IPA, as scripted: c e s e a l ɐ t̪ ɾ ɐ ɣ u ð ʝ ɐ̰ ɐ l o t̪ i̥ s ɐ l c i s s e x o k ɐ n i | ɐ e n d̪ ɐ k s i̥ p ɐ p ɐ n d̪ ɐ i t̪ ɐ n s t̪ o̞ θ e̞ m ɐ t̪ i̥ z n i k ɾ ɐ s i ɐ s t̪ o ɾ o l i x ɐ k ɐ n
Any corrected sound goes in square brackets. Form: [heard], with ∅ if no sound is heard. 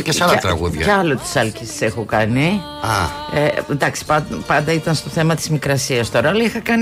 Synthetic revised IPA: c e s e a l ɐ t̪ ɾ ɐ ɣ u ð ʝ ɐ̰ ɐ l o t̪ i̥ s ɐ l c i s s e x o k ɐ n i | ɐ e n d̪ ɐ k s i̥ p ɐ p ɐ n d̪ ɐ i t̪ ɐ n s t̪ o̞ θ e̞ m ɐ t̪ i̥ z [m] i k ɾ ɐ s i ɐ s t̪ o ɾ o l i x ɐ k ɐ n